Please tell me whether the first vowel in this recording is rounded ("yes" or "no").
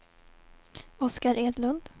yes